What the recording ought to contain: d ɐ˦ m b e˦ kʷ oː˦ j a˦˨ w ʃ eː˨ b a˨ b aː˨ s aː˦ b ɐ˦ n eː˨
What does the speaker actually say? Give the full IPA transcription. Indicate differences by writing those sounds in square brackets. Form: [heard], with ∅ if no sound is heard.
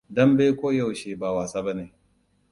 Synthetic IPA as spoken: d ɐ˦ m b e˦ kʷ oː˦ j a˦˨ w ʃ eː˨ b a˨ [w] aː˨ s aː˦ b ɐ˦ n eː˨